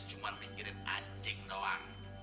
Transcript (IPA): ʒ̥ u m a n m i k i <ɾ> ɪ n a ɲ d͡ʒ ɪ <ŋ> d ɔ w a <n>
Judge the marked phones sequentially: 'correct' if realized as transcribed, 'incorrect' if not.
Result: correct, correct, incorrect: ŋ

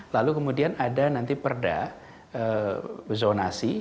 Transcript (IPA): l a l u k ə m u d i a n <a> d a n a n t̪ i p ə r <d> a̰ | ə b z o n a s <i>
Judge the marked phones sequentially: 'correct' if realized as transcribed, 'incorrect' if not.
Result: correct, correct, correct

